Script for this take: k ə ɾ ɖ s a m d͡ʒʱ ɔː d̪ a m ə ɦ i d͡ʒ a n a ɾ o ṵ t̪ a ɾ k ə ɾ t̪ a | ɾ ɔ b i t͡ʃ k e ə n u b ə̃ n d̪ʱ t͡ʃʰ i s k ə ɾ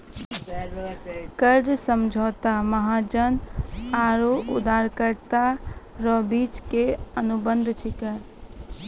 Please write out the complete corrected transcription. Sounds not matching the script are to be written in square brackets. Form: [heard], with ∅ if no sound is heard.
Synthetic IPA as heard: k ə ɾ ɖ s [ə] m d͡ʒʱ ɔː [t̪] a m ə ɦ [a] d͡ʒ [ə] n a ɾ o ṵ [d̪] a ɾ k ə ɾ t̪ a | ɾ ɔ b i t͡ʃ k e ə n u b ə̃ n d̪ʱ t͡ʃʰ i [∅] k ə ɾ